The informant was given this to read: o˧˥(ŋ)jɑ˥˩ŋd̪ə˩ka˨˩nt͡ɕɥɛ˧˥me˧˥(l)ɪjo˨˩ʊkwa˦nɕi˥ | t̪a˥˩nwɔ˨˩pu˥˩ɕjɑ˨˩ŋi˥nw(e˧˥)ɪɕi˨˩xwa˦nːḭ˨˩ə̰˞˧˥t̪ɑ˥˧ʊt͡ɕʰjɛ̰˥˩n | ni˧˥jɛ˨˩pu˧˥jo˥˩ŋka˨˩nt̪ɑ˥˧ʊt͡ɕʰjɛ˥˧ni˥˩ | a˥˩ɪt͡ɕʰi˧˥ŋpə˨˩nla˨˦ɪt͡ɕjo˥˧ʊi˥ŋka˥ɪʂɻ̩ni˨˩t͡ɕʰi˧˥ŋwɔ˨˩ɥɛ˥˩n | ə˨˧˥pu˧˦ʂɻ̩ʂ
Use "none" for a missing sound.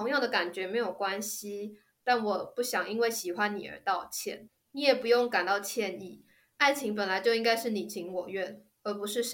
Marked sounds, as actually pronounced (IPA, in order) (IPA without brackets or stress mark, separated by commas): ŋ, none, e˥˩